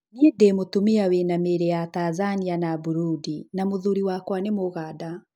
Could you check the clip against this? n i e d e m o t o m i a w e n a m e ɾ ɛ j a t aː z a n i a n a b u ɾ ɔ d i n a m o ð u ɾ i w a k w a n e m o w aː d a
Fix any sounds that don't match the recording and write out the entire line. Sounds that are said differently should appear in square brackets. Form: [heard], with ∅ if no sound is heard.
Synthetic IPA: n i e d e m o t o m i a w e n a m e ɾ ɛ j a t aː z a n i a n a b u ɾ [u] d i n a m o ð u ɾ i w a k w a n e m o [ɣ] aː d a